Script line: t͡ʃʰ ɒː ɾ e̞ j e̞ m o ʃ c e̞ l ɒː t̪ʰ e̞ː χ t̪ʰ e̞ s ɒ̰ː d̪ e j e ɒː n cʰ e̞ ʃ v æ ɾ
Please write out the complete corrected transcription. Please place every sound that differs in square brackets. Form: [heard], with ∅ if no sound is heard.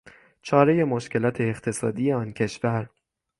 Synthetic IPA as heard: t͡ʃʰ ɒː ɾ e̞ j e̞ m o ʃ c e̞ l ɒː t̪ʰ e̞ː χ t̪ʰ e̞ s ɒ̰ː d̪ [i] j e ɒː n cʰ e̞ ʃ v æ ɾ